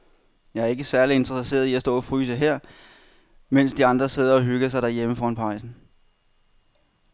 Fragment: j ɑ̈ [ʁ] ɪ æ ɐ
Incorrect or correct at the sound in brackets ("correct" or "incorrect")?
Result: incorrect